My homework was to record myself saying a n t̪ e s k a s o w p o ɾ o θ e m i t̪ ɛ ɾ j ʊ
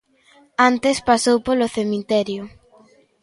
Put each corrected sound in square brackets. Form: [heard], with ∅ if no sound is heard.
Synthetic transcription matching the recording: a n t̪ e s [p] a s o w p o [l] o θ e m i t̪ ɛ ɾ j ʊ